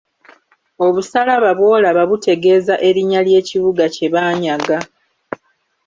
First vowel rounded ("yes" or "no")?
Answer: yes